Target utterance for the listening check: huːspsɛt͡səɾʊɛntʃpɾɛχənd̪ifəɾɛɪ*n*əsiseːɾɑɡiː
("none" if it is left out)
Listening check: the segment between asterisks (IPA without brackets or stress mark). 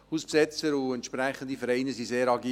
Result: n